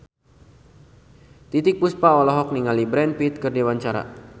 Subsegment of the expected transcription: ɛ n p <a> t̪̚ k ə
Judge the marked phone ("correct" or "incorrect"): incorrect